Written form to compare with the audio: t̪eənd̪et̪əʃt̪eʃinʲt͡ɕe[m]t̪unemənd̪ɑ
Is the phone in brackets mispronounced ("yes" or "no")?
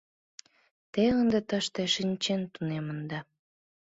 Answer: yes